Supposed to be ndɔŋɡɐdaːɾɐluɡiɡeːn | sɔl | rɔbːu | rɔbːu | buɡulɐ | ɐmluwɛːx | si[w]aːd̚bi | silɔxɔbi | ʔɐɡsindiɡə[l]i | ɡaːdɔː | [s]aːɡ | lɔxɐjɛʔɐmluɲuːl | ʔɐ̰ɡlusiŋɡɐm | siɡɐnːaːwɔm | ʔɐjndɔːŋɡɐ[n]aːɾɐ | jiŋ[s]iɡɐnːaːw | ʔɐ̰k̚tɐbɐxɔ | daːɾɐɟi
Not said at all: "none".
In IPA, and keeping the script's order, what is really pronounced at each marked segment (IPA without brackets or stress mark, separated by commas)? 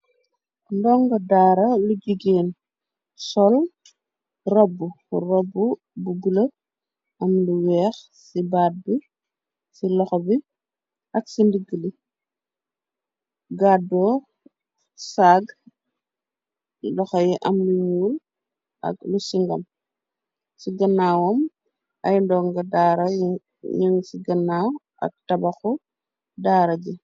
b, l, s, d, s